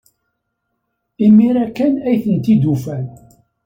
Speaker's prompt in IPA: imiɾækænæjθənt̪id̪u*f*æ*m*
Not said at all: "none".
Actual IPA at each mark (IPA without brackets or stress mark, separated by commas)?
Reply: f, n